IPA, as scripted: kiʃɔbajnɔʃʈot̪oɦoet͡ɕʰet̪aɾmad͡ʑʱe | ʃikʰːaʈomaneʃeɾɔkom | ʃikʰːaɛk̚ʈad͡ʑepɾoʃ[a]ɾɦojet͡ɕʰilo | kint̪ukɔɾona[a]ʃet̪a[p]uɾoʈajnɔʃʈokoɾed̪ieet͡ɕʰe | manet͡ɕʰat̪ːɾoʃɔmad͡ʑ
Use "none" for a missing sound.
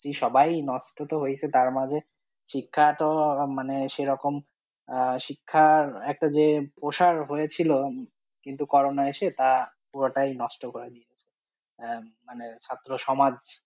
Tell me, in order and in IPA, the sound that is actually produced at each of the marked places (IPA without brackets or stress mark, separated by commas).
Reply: a, e, p